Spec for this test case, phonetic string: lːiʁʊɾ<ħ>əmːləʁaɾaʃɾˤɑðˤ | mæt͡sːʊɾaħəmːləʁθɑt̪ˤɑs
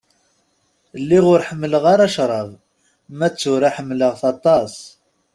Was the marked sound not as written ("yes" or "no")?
no